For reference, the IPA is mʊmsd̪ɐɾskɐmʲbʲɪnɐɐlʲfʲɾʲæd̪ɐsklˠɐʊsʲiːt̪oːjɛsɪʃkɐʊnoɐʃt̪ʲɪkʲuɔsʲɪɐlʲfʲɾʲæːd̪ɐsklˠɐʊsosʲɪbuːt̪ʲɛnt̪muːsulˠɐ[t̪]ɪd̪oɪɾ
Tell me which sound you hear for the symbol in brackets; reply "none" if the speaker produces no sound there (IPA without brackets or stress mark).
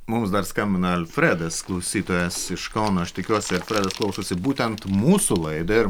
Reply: none